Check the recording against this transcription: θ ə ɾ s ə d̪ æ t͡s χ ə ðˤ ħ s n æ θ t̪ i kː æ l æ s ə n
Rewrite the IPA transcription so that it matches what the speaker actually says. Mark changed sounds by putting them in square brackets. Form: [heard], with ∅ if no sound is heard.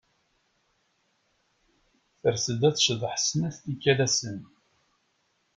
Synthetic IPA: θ ə ɾ s ə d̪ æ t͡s [ʃ] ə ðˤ ħ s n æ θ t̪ i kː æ l æ s ə n